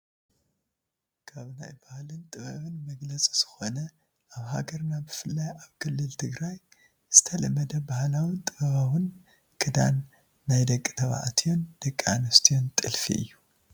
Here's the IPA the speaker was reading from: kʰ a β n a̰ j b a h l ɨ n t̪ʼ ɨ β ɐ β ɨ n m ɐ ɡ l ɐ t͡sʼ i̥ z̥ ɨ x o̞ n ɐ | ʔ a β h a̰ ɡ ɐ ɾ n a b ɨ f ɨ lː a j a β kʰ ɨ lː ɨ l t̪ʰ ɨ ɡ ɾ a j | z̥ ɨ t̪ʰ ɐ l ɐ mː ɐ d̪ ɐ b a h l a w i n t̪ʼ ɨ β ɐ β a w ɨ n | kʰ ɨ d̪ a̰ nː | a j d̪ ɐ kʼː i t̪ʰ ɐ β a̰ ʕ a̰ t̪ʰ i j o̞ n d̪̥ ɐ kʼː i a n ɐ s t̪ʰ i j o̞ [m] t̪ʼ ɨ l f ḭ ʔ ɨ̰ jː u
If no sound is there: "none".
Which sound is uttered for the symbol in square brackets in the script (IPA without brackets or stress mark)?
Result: n